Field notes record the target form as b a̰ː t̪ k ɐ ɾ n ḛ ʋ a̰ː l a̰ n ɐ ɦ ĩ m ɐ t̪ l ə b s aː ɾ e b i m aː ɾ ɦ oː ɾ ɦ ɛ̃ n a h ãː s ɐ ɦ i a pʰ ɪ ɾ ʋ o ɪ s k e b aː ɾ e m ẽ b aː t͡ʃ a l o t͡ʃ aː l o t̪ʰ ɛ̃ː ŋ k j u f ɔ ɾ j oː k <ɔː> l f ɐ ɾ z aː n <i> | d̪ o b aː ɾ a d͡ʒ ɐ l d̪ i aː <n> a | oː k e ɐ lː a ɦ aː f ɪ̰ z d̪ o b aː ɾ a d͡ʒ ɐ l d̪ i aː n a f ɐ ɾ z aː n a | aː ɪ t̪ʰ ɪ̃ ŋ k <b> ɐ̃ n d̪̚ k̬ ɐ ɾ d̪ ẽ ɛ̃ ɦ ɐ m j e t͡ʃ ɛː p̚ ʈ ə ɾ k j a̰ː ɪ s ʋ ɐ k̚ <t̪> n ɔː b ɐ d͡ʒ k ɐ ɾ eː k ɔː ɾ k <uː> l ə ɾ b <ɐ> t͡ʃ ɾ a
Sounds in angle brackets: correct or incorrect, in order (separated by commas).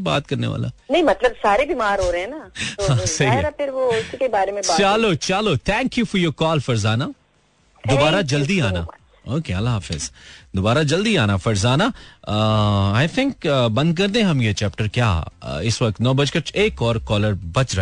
correct, incorrect, correct, correct, correct, incorrect, correct